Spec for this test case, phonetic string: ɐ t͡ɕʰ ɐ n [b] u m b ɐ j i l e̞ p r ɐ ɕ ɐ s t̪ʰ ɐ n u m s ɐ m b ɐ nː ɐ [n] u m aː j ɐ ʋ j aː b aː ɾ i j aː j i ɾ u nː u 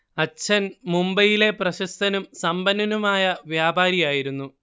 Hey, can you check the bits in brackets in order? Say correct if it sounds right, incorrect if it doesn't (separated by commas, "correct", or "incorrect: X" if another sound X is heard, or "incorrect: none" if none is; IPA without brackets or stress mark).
incorrect: m, correct